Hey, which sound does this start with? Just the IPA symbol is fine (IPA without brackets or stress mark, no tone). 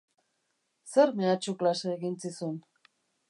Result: s